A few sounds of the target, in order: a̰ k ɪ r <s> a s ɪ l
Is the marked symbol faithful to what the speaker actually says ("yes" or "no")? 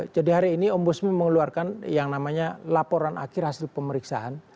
no